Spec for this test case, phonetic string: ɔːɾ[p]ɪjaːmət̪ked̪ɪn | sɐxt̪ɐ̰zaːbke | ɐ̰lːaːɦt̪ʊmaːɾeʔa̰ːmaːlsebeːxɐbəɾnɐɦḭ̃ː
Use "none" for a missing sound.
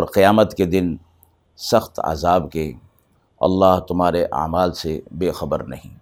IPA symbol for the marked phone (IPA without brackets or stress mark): q